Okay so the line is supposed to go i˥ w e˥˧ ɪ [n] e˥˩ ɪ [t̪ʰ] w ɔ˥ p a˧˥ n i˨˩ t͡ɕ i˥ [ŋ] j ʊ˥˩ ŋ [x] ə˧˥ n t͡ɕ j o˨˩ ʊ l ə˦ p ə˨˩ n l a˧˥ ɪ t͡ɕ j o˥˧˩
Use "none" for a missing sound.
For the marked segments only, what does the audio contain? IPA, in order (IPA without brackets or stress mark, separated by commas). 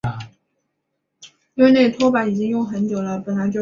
n, t̪ʰ, ŋ, x